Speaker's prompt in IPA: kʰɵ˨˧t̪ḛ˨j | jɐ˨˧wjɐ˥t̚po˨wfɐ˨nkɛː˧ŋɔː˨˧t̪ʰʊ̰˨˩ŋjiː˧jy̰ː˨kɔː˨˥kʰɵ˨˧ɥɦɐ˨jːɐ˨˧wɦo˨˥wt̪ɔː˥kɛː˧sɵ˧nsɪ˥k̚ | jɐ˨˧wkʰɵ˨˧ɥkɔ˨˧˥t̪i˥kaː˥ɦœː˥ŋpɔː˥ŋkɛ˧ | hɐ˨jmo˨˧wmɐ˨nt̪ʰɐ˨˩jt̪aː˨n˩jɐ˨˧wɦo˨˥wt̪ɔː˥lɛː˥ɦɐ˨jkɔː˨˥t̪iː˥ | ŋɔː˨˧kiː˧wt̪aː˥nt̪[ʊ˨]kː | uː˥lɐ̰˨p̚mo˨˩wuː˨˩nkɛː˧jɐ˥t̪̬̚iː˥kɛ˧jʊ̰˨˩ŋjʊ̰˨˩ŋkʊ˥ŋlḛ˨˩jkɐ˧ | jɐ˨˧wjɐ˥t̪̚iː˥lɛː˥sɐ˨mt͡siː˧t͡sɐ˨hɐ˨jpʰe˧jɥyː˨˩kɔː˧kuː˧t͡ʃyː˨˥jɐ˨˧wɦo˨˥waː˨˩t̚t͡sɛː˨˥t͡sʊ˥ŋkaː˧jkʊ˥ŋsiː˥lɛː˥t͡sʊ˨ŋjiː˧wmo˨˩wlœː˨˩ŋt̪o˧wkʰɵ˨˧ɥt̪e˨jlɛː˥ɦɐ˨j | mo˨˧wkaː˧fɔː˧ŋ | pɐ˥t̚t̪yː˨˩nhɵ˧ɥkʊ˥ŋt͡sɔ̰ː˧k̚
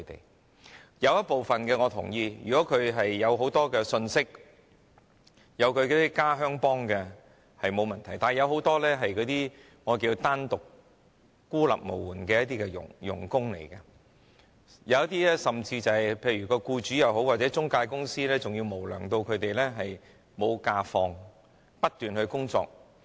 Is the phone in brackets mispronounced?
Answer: no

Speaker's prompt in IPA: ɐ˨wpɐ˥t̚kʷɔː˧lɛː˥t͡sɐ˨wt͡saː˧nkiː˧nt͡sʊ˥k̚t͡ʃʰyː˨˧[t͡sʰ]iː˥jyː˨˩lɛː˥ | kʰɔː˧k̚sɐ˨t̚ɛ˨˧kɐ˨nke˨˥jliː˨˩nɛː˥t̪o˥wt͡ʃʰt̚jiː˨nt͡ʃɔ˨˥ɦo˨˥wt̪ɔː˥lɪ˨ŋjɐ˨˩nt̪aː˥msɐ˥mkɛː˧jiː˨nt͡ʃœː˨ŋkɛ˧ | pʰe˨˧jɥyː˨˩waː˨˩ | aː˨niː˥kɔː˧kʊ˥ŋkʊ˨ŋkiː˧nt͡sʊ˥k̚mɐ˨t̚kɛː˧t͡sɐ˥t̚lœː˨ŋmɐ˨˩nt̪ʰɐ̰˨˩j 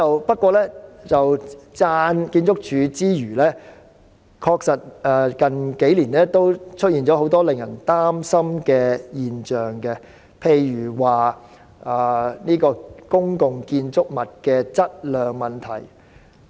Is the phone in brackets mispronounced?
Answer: yes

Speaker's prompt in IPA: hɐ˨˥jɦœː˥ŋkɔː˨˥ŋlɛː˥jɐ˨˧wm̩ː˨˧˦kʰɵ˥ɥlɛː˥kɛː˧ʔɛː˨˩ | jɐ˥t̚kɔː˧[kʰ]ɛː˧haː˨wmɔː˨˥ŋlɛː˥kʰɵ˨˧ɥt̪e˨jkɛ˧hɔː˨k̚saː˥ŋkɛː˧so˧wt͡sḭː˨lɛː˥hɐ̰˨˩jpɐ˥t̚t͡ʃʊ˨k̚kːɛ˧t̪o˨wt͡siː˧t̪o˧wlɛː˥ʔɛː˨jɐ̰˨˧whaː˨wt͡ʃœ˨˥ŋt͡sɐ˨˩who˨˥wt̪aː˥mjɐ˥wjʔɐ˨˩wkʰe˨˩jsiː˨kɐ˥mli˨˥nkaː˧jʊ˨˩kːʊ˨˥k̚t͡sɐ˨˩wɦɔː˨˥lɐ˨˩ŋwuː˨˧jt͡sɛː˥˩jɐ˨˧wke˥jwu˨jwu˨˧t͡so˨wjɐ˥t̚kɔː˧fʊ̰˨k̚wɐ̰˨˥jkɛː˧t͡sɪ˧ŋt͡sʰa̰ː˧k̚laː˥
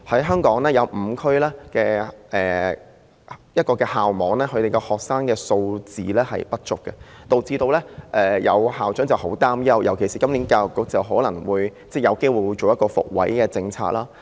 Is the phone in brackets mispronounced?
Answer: yes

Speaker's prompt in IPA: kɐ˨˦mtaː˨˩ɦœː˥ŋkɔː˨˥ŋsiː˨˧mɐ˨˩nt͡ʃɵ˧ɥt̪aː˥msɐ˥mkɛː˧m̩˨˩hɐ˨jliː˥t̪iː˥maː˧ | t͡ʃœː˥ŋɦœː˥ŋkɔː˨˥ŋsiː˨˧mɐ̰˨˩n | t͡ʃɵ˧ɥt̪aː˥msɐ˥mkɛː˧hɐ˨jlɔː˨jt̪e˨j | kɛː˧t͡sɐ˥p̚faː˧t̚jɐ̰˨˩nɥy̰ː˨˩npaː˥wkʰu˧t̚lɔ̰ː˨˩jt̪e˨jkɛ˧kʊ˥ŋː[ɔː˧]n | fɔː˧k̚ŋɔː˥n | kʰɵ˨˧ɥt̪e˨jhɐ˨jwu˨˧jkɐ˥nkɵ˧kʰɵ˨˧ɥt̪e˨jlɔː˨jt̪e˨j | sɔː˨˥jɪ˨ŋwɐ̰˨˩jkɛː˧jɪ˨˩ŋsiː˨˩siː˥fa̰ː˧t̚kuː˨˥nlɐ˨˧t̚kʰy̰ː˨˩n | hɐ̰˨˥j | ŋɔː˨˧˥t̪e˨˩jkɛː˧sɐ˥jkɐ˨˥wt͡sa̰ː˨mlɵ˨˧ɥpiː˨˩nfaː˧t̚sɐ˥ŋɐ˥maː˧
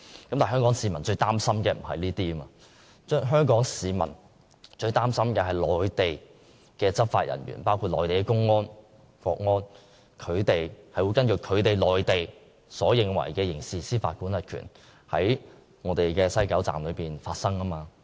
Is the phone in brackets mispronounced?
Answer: yes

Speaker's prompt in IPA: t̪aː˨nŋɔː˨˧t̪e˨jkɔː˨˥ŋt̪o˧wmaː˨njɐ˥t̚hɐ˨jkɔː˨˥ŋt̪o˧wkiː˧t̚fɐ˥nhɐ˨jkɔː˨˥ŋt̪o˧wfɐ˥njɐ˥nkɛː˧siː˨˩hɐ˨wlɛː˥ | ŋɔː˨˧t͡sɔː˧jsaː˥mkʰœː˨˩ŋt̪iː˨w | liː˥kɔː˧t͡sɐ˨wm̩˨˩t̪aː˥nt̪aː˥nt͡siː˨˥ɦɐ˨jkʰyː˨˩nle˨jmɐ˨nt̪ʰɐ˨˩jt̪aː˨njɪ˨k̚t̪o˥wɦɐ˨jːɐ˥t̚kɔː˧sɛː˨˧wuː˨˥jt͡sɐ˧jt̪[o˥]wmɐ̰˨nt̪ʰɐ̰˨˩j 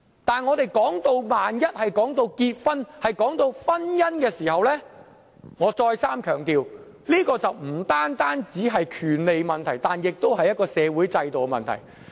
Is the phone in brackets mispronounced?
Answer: yes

